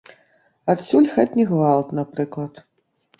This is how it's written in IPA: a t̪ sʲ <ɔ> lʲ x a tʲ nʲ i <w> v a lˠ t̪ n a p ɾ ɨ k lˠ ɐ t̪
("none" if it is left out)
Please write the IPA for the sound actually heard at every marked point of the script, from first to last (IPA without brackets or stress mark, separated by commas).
u, ɣ